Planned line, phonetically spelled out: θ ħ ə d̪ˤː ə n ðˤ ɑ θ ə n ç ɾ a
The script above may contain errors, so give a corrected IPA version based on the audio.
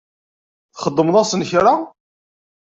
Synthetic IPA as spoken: θ χ ə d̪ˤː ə m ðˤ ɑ s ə n ç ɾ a